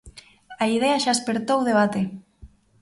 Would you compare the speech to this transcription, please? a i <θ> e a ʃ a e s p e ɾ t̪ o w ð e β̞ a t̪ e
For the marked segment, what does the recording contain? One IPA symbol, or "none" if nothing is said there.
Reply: ð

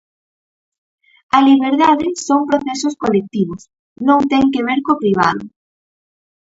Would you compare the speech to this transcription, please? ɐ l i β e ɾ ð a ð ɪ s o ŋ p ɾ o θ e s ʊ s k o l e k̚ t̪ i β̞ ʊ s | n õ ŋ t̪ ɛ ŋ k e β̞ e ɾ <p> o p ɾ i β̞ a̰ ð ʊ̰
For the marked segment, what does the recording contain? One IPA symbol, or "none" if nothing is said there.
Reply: k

